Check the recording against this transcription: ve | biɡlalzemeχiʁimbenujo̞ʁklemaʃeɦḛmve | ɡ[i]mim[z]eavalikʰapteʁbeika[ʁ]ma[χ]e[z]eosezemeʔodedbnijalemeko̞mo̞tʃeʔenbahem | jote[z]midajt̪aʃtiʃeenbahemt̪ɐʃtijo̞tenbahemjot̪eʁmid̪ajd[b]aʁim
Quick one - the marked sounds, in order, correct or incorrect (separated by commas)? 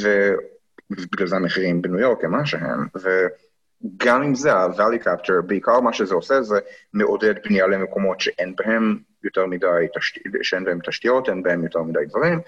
incorrect, correct, correct, incorrect, correct, incorrect, incorrect